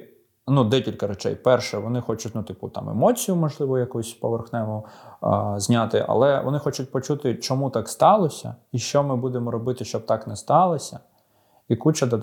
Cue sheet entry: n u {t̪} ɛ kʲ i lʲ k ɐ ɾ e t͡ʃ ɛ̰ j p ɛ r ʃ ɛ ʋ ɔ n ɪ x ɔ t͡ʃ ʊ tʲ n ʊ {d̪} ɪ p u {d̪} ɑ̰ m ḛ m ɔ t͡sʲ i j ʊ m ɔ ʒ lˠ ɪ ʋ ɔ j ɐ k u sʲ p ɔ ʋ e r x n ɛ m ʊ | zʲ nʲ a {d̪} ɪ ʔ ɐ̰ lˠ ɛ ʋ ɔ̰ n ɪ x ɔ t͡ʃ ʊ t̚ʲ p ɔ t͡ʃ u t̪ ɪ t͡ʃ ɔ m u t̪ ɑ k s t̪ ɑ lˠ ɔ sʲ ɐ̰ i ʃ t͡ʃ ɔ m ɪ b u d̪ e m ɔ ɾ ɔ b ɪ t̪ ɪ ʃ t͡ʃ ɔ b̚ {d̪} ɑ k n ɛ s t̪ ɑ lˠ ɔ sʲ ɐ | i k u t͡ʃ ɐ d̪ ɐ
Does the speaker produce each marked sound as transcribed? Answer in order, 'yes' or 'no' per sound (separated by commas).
no, no, no, no, no